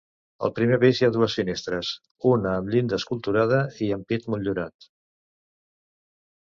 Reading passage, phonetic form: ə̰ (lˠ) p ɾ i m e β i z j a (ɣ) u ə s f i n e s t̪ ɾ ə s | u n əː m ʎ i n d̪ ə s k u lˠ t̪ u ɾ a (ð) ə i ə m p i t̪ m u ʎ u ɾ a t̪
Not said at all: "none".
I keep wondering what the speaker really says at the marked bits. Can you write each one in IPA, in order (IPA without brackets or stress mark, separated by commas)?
lˠ, ð, ð